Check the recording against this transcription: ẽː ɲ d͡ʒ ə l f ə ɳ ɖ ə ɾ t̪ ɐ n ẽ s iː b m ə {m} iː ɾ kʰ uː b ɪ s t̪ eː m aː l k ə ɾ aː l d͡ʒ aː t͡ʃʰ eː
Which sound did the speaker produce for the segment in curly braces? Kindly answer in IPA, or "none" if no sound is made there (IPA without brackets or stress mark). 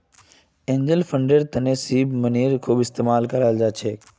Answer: n